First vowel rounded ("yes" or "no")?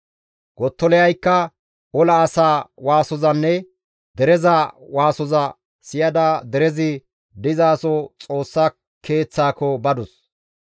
yes